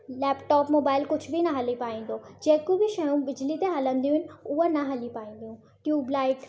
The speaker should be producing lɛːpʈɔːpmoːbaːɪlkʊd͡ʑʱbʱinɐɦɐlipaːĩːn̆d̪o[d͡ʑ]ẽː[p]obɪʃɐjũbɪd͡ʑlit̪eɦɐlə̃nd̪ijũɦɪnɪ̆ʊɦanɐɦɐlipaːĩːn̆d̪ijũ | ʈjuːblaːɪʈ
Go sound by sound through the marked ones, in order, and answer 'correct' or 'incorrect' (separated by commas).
correct, incorrect